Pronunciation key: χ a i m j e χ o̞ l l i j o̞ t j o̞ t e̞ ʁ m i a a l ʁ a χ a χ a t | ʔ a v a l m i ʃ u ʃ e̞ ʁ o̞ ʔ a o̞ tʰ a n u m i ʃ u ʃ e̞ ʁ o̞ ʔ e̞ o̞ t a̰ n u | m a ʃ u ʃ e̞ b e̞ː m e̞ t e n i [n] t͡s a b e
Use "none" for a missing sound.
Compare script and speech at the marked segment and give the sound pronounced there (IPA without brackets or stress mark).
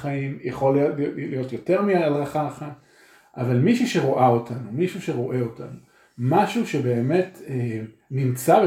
m